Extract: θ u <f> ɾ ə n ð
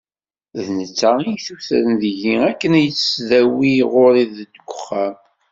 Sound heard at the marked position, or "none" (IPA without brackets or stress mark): θ